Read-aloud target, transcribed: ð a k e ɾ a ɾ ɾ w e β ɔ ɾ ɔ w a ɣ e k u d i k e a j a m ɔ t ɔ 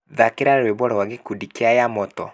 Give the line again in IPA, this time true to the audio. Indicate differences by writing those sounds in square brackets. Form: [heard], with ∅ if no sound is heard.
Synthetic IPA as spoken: ð a k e ɾ a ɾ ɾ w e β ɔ ɾ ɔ w a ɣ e k u d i k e a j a m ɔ t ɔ